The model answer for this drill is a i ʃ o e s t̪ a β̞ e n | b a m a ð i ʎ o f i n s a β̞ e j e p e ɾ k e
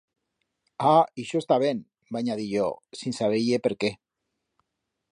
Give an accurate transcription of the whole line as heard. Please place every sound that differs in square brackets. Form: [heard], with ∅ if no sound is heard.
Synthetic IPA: a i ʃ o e s t̪ a β̞ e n | b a [ɲ] a ð i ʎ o [s] i n s a β̞ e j e p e ɾ k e